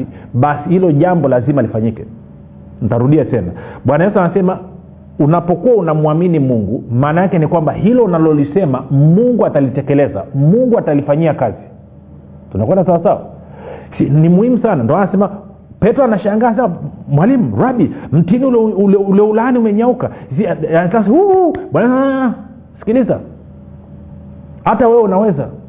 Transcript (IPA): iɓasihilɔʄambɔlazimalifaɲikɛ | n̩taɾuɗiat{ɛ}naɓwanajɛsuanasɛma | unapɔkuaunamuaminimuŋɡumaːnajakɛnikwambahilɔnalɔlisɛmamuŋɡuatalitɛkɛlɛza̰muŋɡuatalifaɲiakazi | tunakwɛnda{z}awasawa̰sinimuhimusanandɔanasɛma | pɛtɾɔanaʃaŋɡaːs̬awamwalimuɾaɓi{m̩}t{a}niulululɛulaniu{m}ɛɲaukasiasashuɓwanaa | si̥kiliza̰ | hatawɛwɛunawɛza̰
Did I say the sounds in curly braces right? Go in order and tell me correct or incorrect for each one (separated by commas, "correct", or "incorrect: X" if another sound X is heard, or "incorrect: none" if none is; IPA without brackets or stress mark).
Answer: correct, incorrect: s, correct, incorrect: i, correct